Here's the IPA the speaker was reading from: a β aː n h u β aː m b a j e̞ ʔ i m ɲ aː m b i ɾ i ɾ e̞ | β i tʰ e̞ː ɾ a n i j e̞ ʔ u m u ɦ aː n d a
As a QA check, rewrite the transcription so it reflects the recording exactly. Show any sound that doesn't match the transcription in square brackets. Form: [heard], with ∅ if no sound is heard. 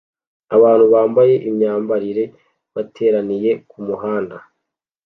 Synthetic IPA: a β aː n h u β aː m b a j e̞ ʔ i m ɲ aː m b [a] ɾ i ɾ e̞ | β [a] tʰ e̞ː ɾ a n i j e̞ [k] u m u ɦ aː n d a